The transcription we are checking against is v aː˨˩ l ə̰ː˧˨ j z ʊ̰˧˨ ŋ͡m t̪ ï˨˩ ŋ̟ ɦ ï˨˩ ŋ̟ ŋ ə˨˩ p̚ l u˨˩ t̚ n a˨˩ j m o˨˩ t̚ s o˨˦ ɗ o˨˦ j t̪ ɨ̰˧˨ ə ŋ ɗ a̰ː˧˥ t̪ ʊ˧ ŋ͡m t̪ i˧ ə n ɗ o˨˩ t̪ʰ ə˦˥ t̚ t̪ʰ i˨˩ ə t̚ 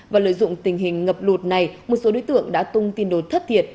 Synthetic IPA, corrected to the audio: v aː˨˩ l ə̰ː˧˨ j z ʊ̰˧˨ ŋ͡m t̪ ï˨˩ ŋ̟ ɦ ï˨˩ ŋ̟ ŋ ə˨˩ p̚ l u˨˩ t̚ n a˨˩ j m o˨˩ t̚ s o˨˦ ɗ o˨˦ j t̪ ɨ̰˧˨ ə ŋ ɗ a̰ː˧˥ t̪ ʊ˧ ŋ͡m t̪ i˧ ə n ɗ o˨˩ t̪ʰ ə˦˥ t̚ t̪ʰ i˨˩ ə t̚